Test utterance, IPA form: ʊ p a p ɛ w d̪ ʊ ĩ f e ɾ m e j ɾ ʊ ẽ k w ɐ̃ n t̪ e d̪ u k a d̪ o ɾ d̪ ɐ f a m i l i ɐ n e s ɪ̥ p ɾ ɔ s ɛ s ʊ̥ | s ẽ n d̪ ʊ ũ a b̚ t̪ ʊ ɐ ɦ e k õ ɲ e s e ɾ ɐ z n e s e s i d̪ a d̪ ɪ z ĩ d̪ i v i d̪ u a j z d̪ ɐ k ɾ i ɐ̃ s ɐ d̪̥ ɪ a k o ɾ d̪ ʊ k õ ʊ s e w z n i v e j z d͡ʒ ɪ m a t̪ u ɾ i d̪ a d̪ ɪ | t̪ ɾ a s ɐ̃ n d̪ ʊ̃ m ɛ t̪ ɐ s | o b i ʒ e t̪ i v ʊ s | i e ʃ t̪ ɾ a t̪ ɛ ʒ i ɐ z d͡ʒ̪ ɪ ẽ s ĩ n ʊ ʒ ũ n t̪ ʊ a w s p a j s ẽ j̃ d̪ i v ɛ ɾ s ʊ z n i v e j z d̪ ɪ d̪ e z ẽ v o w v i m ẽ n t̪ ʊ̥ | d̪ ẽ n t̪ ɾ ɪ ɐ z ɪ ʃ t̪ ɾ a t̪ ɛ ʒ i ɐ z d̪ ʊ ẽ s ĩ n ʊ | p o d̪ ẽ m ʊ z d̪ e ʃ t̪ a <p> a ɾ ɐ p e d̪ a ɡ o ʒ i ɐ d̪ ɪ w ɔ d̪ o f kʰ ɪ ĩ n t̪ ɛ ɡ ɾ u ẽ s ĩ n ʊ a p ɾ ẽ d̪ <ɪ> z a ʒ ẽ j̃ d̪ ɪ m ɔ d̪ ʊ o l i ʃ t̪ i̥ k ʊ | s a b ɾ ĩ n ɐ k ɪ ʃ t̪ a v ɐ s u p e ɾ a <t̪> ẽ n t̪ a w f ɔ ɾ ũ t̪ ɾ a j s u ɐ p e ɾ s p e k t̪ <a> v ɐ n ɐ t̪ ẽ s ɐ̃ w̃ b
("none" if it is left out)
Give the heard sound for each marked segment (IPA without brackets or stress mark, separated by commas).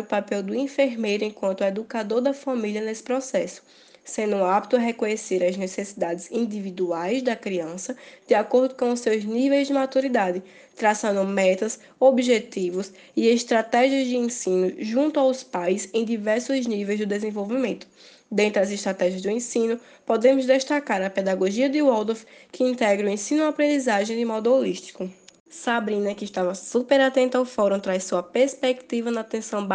k, i, t̪, i